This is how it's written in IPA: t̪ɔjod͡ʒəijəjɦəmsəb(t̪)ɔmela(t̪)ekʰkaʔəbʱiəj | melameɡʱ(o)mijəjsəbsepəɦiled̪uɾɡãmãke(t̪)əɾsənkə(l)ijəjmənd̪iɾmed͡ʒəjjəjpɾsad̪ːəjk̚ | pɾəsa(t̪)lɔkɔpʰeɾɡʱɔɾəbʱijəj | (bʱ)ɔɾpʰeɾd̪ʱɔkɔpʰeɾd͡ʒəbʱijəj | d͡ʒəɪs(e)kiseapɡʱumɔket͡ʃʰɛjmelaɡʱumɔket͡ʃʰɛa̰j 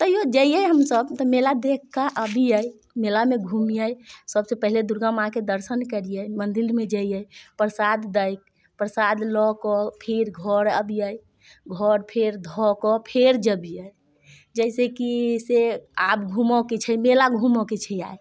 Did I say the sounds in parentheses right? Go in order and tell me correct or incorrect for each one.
correct, incorrect: d̪, incorrect: u, incorrect: d̪, incorrect: ɾ, incorrect: d̪, incorrect: ɡʱ, correct

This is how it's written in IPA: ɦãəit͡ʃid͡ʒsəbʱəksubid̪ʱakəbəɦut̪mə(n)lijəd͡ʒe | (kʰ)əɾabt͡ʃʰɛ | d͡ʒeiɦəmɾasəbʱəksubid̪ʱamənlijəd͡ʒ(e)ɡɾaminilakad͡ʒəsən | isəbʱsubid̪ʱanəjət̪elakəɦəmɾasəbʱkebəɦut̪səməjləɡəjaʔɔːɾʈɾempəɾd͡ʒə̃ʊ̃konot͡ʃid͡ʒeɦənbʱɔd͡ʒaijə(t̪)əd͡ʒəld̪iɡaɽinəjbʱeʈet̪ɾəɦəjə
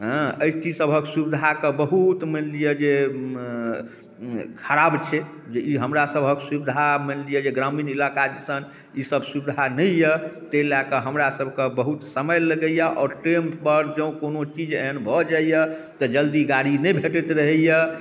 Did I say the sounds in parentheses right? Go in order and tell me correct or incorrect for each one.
correct, correct, correct, correct

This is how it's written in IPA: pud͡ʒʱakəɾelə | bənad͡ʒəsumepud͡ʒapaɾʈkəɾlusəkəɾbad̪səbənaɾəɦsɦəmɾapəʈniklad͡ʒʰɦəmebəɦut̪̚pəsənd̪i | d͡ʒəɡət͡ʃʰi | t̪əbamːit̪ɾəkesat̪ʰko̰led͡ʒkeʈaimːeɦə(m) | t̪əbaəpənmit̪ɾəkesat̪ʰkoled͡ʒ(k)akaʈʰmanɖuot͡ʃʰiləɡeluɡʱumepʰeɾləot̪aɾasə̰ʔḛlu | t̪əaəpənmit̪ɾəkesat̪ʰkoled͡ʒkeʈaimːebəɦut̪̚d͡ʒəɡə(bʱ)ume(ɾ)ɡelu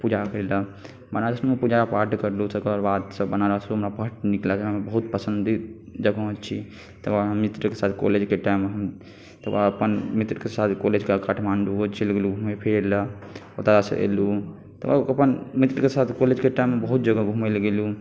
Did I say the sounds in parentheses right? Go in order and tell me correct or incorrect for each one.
correct, correct, incorrect: ɡʱ, incorrect: l

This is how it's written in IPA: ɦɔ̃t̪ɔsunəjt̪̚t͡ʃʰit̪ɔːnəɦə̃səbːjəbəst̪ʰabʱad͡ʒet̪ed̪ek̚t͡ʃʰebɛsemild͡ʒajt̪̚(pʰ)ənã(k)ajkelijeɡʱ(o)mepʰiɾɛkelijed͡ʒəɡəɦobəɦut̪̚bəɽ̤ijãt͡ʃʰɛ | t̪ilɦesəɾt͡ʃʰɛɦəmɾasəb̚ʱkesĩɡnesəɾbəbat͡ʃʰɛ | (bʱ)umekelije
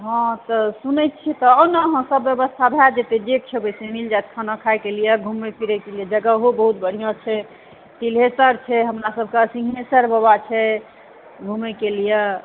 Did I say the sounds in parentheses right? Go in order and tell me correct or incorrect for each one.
incorrect: kʰ, incorrect: kʰ, incorrect: u, incorrect: ɡʱ

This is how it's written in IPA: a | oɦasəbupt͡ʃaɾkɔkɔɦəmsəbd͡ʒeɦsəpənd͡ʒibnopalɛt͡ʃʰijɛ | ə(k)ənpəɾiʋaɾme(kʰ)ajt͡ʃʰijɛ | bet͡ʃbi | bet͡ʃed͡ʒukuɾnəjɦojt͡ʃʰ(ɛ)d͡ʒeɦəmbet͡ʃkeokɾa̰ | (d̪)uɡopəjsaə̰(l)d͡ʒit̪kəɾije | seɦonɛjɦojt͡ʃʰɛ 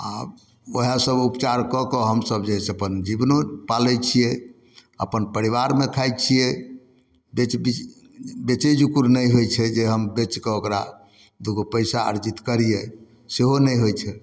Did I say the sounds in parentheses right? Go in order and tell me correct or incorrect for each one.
incorrect: p, correct, correct, correct, incorrect: ɾ

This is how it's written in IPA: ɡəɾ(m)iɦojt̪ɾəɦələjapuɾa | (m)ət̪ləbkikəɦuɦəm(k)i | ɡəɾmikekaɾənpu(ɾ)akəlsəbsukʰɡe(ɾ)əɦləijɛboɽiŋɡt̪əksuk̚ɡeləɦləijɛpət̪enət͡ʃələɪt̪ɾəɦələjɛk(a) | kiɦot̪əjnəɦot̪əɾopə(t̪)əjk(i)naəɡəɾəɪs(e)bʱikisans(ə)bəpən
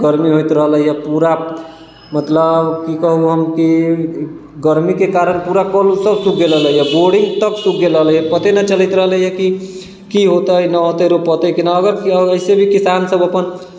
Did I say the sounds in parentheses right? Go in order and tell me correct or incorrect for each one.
correct, correct, correct, correct, incorrect: l, incorrect: i, correct, correct, correct, correct

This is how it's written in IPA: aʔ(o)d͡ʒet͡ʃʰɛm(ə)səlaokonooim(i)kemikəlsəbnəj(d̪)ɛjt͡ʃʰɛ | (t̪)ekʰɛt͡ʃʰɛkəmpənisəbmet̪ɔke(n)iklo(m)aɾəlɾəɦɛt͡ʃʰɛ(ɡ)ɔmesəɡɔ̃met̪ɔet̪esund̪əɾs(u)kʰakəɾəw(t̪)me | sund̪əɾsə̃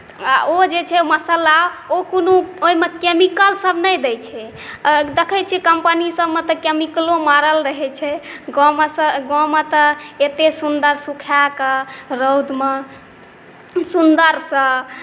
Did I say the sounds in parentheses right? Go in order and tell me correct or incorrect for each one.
correct, correct, incorrect: e, correct, incorrect: d̪, incorrect: m, correct, correct, correct, incorrect: d̪

